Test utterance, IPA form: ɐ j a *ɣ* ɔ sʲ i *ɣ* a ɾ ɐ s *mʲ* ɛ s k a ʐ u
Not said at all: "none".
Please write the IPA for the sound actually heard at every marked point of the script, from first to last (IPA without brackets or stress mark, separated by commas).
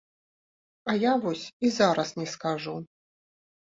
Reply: v, z, nʲ